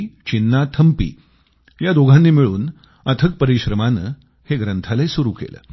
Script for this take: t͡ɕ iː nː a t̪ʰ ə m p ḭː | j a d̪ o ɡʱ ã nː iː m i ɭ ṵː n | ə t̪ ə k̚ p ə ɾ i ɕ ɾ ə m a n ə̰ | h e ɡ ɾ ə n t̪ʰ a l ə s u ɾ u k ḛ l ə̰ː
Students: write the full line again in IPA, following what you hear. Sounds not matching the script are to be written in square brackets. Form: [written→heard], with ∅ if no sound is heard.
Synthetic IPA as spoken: t͡ɕ [iː→i] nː a t̪ʰ ə m p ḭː | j a d̪ o ɡʱ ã nː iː m i ɭ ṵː n | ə [t̪→t̪ʰ] ə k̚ p ə ɾ i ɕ ɾ ə m a n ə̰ | h e ɡ ɾ ə n t̪ʰ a l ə s u ɾ u k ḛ l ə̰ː

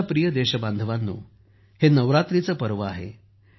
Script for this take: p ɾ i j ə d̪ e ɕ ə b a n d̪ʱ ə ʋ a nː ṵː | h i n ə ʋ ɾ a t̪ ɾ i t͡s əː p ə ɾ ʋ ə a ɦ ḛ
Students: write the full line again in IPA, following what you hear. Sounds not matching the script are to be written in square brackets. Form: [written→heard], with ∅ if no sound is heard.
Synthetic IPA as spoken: p ɾ i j ə d̪ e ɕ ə b a n d̪ʱ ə ʋ a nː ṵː | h [i→e] n ə ʋ ɾ a t̪ ɾ i t͡s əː p ə ɾ ʋ ə a ɦ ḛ

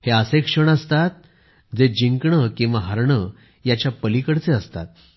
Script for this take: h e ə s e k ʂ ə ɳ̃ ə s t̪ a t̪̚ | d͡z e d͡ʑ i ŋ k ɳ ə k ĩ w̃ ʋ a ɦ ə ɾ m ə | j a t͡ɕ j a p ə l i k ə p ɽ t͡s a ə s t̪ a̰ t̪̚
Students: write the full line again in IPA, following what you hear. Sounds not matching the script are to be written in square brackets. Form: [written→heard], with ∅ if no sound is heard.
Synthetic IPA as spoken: h e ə s e k ʂ ə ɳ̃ ə s t̪ a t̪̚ | d͡z e d͡ʑ i ŋ k ɳ ə k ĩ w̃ ʋ a ɦ ə ɾ [m→ɳ] ə | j a t͡ɕ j a p ə l i k ə [p→∅] ɽ t͡s [a→e] ə s t̪ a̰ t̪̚

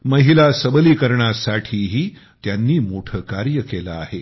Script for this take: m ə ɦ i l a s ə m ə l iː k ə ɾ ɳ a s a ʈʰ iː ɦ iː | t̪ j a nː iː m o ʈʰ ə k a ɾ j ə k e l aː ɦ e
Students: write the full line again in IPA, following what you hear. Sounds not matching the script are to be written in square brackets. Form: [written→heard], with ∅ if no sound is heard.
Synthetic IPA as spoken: m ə ɦ i l a s ə [m→b] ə l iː k ə ɾ ɳ a s a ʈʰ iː ɦ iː | t̪ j a nː iː m o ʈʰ ə k a ɾ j ə k e l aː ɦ e

